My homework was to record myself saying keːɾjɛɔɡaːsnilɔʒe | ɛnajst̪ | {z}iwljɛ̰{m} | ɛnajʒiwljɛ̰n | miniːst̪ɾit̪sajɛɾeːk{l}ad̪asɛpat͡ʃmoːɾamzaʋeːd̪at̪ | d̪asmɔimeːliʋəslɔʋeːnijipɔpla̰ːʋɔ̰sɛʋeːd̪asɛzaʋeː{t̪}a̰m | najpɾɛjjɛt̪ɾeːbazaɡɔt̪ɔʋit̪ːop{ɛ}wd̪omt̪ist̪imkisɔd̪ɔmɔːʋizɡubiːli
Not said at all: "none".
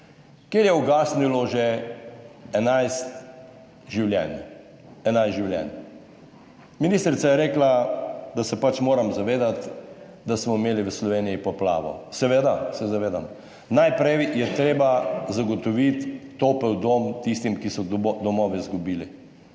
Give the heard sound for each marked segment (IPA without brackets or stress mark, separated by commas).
ʒ, n, l, d̪, ɛ